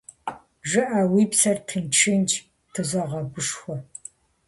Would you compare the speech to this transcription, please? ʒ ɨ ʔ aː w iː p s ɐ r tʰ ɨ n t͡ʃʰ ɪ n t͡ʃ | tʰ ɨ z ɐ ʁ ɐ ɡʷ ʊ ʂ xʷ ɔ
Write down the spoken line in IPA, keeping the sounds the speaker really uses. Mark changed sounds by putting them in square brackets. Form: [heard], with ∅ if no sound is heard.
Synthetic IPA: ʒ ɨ ʔ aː w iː p s ɐ r tʰ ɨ n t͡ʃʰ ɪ n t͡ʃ | tʰ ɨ z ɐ ʁ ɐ ɡʷ ʊ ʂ xʷ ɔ